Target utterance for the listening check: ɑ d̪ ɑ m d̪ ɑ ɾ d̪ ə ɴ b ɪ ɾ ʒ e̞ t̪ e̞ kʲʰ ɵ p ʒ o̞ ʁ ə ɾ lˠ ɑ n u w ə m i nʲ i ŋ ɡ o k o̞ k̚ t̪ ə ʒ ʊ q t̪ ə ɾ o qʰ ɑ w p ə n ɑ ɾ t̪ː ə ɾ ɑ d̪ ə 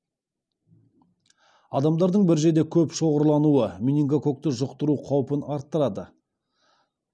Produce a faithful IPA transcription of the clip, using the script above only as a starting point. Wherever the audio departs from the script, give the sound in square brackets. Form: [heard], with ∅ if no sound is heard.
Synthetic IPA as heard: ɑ d̪ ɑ m d̪ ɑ ɾ d̪ ə ɴ b ɪ ɾ ʒ e̞ [d̪] e̞ kʲʰ ɵ p [ʃ] o̞ ʁ ə ɾ lˠ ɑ n u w ə m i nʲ i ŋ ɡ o k o̞ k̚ t̪ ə ʒ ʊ q t̪ ə ɾ [u] qʰ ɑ w p ə n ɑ ɾ t̪ː ə ɾ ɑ d̪ ə